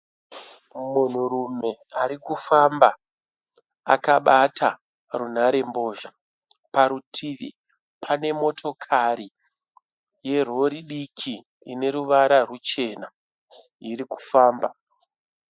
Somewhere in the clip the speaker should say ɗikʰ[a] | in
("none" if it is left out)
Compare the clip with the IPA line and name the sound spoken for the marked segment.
i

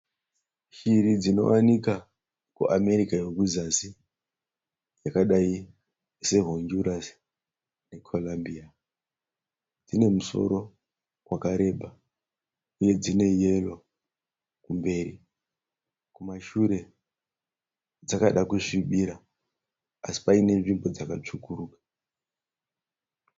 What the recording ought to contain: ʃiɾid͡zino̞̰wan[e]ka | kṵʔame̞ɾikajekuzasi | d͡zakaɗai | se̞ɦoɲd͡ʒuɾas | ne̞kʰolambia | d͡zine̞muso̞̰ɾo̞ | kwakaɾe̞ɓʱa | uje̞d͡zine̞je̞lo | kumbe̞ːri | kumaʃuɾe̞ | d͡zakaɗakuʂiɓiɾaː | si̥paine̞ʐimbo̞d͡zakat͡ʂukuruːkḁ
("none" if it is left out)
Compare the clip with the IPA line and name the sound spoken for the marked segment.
i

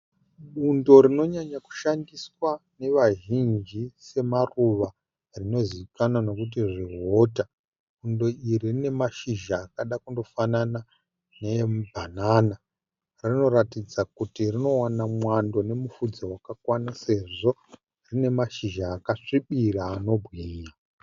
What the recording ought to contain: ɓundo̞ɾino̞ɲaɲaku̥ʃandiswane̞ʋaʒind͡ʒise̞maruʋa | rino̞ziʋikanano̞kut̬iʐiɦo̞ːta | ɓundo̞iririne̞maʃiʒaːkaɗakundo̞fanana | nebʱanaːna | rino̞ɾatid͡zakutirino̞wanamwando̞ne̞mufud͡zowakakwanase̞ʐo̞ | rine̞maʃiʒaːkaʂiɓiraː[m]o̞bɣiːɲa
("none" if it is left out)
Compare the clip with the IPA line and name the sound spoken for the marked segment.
n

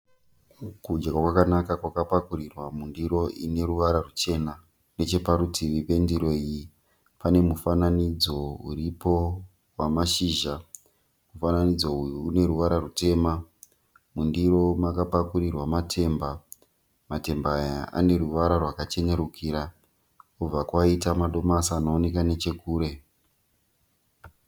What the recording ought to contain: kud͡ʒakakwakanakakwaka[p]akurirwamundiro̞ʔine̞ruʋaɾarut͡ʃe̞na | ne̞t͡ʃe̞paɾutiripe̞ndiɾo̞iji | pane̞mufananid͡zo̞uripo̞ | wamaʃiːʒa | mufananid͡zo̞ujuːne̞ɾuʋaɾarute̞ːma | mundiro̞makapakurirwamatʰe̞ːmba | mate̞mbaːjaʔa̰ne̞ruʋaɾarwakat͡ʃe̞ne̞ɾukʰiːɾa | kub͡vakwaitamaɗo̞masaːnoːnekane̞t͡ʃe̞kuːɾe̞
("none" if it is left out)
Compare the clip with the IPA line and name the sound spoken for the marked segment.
p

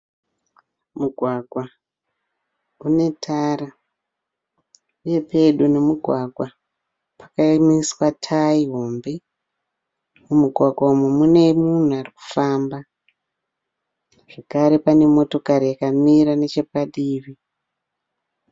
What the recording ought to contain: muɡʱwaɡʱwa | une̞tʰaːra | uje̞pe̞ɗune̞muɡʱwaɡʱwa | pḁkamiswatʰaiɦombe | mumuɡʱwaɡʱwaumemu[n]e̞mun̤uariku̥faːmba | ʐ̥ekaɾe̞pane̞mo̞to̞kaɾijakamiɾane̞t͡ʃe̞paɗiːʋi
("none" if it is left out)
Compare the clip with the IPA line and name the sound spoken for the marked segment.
n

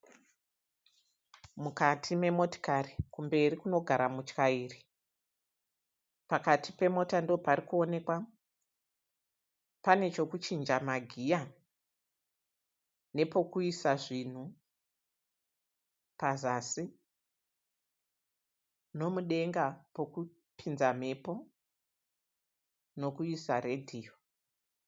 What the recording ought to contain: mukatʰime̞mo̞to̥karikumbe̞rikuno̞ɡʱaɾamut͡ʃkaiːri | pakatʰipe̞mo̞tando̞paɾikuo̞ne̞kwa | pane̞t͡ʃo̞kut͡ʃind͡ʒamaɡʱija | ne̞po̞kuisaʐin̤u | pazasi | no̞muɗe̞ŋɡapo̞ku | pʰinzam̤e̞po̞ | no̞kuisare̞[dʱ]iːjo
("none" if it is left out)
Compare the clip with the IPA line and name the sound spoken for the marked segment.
dʱ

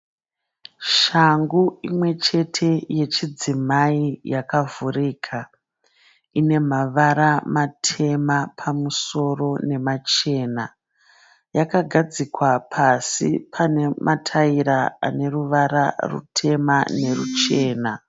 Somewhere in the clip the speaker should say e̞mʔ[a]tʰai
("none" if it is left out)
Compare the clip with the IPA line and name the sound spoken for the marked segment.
a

